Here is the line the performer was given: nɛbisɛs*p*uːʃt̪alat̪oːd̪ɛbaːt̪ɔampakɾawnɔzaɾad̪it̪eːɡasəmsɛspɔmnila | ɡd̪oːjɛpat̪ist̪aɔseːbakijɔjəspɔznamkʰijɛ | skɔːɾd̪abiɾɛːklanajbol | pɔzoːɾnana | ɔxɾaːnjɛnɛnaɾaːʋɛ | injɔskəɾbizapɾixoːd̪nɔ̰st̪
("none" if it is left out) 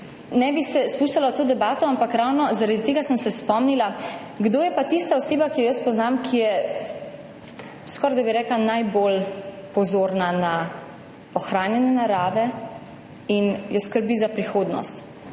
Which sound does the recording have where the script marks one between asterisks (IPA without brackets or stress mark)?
p